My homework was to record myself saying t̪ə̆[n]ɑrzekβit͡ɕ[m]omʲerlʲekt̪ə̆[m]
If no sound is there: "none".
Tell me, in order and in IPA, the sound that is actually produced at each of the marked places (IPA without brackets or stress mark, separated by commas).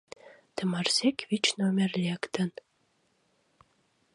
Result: m, n, n